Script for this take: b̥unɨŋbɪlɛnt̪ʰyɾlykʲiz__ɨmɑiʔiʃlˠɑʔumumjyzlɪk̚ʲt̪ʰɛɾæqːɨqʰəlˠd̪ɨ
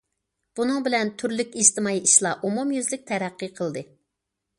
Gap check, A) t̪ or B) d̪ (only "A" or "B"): A